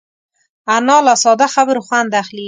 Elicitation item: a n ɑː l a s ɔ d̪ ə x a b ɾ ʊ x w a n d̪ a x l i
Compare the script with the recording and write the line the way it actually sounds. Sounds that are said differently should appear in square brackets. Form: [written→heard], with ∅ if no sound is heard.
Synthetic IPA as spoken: a n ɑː l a s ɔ d̪ [ə→a] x a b ɾ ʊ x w a n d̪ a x l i